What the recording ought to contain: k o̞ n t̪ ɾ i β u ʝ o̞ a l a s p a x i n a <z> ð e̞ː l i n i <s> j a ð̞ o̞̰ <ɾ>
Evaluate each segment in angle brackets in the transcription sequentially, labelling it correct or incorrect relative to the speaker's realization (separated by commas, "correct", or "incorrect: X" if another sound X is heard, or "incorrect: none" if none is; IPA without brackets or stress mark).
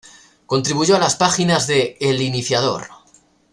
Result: correct, incorrect: θ, correct